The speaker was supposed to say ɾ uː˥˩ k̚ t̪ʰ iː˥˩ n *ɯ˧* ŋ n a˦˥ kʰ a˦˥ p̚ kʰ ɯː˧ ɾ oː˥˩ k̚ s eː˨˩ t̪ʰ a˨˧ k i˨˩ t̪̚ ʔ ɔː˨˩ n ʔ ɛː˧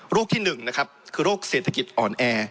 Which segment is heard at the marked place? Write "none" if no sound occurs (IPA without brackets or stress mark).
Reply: ɯ˨˩